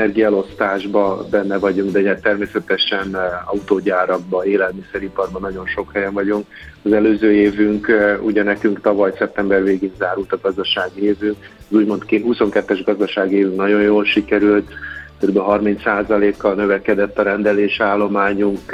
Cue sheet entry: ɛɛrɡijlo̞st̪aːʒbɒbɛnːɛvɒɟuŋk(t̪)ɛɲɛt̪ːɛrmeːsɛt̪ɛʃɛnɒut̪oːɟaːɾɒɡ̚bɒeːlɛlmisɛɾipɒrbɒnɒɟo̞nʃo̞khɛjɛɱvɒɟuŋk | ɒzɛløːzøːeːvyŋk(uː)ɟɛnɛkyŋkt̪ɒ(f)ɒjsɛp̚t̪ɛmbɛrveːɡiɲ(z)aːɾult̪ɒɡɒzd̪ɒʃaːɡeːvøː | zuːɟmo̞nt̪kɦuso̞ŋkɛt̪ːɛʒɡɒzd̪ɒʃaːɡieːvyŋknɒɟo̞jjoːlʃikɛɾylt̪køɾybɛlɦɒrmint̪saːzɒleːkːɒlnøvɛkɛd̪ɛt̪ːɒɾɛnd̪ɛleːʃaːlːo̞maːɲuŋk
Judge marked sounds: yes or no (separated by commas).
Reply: no, no, no, yes